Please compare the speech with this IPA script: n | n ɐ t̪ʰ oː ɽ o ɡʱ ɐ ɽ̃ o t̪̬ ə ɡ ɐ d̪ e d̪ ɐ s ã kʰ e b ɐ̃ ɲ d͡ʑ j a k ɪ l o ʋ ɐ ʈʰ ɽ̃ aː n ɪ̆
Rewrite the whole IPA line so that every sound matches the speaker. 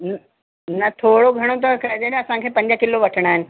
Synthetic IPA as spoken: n | n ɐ t̪ʰ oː ɽ o ɡʱ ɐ ɽ̃ o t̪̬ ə k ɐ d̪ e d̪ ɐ s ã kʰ e p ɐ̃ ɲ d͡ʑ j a k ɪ l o ʋ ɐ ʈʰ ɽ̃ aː n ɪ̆